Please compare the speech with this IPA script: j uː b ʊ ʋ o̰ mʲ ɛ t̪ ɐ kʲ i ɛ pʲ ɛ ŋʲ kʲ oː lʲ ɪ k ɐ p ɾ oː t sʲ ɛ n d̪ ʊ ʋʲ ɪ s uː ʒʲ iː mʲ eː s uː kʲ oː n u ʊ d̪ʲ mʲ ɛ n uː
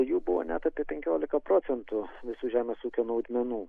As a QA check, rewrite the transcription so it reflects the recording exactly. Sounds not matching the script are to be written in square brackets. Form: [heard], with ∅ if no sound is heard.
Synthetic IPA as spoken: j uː b ʊ ʋ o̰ [nʲ] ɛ t̪ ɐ [pʲ] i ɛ pʲ ɛ ŋʲ kʲ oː lʲ ɪ k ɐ p ɾ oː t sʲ ɛ n [t̪] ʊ ʋʲ ɪ s uː ʒʲ [æː] mʲ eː s uː kʲ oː n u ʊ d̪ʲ mʲ ɛ n uː